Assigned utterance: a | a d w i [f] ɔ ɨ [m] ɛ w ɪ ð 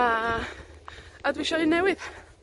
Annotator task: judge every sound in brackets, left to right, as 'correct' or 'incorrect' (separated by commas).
incorrect, incorrect